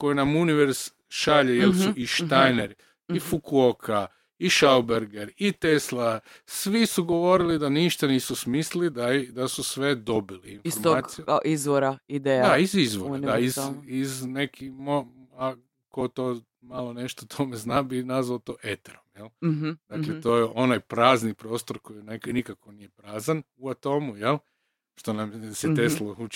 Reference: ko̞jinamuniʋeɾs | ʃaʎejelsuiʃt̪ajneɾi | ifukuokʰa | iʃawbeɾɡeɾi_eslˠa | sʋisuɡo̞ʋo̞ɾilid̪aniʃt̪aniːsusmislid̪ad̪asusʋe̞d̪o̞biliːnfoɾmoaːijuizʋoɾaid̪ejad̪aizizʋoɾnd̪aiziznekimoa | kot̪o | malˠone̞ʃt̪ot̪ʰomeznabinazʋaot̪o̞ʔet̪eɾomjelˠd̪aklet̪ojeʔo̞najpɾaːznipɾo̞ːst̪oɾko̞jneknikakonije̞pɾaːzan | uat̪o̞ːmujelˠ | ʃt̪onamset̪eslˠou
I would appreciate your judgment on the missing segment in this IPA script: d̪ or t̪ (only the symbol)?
t̪